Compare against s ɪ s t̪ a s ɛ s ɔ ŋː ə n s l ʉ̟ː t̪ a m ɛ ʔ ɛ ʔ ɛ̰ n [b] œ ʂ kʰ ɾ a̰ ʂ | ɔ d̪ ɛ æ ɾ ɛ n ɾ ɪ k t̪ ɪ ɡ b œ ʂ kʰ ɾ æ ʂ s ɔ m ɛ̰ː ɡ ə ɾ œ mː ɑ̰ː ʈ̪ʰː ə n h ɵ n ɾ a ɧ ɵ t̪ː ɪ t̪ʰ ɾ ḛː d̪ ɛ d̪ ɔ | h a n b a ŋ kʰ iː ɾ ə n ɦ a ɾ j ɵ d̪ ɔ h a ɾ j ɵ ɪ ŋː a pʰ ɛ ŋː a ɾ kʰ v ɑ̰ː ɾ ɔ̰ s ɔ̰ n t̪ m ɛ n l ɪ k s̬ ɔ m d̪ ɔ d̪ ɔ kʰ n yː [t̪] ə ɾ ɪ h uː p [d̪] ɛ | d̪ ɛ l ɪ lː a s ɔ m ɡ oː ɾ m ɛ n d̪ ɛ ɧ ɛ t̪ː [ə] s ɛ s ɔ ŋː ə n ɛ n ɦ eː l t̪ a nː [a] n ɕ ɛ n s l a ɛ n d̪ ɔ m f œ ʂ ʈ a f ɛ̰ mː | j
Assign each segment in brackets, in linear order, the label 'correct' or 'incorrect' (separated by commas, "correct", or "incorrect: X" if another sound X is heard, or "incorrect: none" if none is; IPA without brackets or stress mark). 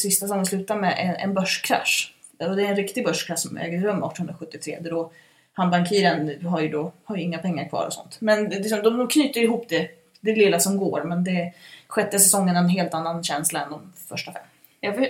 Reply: correct, correct, correct, correct, correct